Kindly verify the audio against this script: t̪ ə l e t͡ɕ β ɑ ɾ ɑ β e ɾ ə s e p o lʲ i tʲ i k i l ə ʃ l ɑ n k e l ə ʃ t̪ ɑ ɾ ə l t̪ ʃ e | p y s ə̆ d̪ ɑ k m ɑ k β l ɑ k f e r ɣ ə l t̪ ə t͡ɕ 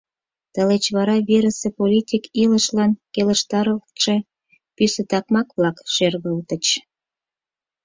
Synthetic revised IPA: t̪ ə l e t͡ɕ β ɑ ɾ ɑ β e ɾ ə s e p o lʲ i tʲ i k i l ə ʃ l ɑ n k e l ə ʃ t̪ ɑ ɾ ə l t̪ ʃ e | p y s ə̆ t̪ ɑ k m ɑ k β l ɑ k ʃ e r ɣ ə l t̪ ə t͡ɕ